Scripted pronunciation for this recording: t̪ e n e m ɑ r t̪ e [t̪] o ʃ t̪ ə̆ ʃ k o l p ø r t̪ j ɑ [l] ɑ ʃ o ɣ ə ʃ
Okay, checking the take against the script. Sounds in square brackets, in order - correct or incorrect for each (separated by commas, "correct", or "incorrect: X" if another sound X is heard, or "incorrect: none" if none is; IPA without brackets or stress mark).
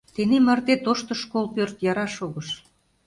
correct, incorrect: ɾ